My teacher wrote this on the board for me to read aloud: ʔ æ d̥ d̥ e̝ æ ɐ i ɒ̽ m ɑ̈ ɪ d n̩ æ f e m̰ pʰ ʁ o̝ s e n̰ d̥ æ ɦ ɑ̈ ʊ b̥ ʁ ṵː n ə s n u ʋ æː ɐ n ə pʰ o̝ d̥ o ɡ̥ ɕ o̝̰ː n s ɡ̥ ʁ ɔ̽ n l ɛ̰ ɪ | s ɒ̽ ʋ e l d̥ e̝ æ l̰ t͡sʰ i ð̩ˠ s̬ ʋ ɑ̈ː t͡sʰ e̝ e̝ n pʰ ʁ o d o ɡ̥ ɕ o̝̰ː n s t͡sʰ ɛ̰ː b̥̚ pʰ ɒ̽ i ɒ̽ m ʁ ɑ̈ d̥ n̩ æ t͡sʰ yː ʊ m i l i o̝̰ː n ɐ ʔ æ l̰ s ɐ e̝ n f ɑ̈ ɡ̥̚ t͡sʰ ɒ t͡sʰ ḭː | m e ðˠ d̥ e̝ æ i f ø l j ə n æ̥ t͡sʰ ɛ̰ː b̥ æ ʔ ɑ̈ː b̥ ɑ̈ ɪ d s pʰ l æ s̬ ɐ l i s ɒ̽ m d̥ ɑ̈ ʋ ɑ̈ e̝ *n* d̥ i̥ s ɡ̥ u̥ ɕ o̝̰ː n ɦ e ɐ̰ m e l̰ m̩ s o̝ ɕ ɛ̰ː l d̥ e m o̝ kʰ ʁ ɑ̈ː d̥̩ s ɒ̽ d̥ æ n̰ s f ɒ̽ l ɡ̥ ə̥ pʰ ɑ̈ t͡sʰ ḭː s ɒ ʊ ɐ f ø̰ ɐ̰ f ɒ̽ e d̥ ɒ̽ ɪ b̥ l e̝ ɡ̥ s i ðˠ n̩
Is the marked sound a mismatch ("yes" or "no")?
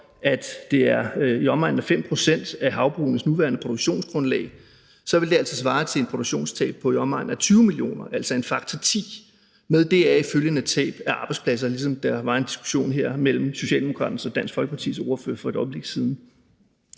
no